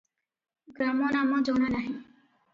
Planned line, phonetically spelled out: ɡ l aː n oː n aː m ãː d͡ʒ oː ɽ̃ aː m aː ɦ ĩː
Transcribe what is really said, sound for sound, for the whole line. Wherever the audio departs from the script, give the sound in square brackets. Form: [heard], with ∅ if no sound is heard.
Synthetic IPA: ɡ [ɾ] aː [m] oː n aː m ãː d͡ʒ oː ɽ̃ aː [n] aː ɦ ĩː